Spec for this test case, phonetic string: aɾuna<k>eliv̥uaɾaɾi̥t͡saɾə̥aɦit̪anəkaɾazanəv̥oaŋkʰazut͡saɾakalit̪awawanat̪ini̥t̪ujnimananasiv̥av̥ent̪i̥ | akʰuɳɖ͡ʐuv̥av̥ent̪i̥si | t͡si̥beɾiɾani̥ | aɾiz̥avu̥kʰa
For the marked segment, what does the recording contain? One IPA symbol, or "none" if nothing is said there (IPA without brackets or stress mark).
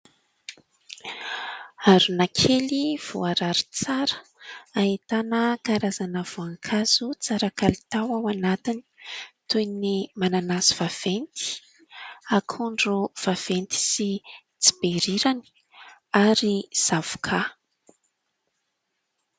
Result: kʰ